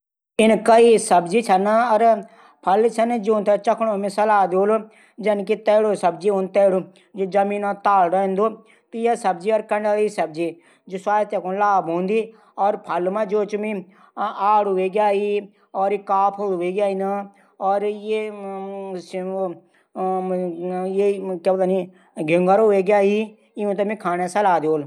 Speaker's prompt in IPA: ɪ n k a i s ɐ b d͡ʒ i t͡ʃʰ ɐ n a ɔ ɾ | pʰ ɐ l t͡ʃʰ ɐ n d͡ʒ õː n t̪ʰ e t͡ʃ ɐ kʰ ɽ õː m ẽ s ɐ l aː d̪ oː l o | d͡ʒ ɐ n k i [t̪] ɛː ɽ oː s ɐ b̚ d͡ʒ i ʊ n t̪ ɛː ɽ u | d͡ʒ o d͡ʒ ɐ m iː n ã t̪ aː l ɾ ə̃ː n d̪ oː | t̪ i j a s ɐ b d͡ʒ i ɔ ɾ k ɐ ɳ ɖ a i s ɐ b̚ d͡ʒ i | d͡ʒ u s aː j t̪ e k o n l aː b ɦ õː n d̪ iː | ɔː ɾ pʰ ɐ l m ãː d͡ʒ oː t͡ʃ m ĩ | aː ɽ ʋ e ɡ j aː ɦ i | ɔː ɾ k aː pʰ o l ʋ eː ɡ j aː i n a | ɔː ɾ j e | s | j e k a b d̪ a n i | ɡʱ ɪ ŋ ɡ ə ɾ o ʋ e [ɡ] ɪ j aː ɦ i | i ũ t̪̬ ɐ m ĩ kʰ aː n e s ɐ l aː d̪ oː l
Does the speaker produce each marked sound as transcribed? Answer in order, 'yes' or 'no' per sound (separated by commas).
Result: yes, yes